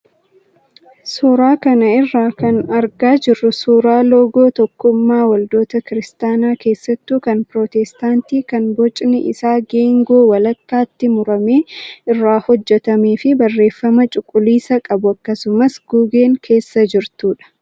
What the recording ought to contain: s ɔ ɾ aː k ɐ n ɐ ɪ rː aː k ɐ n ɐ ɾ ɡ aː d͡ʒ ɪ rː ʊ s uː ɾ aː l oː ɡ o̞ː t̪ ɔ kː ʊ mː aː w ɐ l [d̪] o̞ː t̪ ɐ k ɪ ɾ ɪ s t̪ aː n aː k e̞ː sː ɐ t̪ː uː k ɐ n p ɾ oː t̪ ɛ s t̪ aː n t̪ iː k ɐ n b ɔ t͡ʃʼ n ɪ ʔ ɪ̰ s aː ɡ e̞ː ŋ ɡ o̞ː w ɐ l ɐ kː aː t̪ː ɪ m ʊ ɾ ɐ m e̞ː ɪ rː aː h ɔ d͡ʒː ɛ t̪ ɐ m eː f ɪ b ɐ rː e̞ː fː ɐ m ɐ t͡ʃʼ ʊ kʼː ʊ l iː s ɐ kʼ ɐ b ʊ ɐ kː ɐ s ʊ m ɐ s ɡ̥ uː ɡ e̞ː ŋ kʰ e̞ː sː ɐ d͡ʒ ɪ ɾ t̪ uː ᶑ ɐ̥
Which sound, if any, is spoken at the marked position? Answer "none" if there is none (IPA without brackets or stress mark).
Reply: d̪